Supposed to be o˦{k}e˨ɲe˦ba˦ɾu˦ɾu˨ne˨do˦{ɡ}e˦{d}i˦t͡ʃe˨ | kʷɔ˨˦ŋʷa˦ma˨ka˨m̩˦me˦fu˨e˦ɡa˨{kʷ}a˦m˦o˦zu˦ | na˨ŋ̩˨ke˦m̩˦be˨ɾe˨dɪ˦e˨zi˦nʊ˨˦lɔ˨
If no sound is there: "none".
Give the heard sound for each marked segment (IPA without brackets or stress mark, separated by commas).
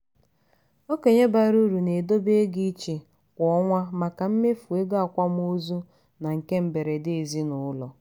k, b, ɡ, kʷ